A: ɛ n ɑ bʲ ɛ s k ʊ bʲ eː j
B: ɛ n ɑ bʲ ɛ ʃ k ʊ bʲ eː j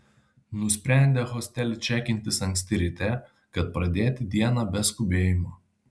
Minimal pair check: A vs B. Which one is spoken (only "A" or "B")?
A